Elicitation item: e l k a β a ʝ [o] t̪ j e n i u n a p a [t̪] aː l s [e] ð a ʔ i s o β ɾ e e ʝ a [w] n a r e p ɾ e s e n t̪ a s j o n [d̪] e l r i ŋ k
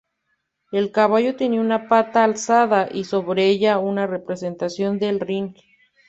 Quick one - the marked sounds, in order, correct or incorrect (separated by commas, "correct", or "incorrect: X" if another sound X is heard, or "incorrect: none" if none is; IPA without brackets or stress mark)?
correct, correct, incorrect: a, incorrect: u, correct